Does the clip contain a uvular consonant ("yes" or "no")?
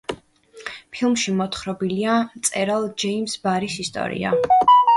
yes